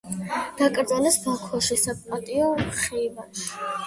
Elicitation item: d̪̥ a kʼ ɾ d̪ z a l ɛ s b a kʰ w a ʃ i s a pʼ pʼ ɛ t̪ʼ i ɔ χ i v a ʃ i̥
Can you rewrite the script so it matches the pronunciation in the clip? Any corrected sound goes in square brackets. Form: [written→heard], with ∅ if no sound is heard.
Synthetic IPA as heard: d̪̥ a kʼ ɾ d̪ z a l ɛ s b a kʰ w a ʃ i s a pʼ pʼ [ɛ→a] t̪ʼ i ɔ χ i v a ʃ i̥